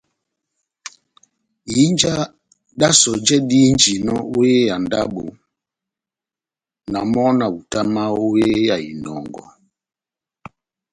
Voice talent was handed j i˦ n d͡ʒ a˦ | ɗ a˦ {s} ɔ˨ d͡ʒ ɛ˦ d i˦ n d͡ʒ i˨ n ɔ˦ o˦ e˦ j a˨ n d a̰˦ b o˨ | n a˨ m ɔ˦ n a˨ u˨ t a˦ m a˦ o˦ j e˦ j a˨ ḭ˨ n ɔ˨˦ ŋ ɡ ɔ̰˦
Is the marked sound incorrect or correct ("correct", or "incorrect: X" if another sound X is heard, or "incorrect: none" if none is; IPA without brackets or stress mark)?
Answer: correct